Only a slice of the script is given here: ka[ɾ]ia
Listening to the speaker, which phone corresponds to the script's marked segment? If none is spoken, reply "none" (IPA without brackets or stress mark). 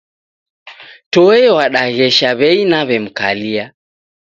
l